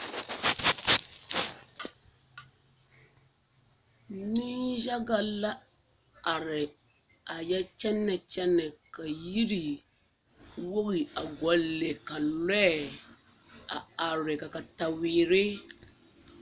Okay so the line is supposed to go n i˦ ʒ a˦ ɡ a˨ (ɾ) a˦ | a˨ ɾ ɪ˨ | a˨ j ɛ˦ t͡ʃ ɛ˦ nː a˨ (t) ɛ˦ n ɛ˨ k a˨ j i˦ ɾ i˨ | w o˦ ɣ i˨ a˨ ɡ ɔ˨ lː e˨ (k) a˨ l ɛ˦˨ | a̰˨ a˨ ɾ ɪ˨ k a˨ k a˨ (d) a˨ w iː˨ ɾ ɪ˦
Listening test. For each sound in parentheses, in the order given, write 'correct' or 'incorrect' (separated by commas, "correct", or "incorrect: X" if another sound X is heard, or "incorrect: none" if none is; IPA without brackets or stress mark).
incorrect: l, incorrect: t͡ʃ, correct, incorrect: t